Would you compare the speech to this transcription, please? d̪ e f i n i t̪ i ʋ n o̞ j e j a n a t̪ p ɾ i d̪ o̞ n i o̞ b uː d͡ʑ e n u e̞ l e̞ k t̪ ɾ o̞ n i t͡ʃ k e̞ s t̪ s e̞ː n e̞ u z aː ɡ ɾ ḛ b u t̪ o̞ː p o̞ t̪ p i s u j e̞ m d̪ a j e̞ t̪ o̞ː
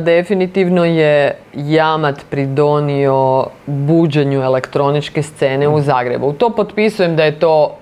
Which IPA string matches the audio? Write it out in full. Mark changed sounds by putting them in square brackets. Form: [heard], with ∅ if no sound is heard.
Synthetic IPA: d̪ e f i n i t̪ i ʋ n o̞ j e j a [m] a t̪ p ɾ i d̪ o̞ n i o̞ b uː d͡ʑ e [ɲ] u e̞ l e̞ k t̪ ɾ o̞ n i t͡ʃ k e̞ s t̪ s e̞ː n e̞ u z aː ɡ ɾ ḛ b u t̪ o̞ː p o̞ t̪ p i s u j e̞ m d̪ a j e̞ t̪ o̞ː